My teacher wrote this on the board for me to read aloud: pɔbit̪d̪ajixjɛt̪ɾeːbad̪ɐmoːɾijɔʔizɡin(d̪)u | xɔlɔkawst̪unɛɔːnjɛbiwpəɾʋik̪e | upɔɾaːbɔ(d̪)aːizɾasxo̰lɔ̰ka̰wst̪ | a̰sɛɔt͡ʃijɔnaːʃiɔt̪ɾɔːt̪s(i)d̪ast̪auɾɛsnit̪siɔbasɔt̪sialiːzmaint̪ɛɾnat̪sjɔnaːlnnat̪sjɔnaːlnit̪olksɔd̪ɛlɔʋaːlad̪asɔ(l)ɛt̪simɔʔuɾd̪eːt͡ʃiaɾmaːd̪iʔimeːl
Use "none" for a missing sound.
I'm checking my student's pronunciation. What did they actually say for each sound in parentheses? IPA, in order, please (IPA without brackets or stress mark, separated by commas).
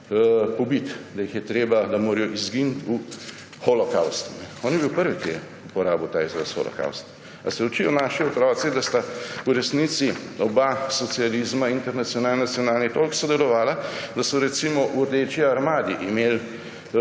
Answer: t̪, t̪, i, ɾ